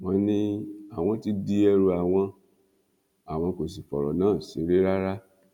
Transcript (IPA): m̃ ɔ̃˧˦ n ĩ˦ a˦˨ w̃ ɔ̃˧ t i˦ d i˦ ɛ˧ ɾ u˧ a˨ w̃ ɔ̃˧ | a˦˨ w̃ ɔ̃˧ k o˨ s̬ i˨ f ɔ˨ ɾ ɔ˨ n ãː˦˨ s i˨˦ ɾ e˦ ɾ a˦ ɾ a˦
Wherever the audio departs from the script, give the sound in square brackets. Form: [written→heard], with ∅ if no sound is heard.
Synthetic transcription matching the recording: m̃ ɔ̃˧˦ n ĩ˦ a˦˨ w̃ ɔ̃˧ t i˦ d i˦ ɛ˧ ɾ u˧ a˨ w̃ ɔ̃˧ | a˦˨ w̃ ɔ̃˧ k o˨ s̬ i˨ f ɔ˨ ɾ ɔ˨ n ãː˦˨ s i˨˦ ɾ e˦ ɾ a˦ ɾ a˦